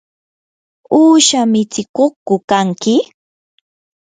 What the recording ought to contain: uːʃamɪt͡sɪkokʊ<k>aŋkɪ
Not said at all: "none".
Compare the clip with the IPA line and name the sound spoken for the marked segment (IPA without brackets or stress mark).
k